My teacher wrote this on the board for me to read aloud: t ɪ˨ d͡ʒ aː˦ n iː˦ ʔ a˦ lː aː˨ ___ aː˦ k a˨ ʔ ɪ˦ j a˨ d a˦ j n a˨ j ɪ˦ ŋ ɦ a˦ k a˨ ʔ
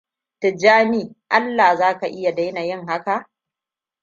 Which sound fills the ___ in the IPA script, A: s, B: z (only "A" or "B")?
B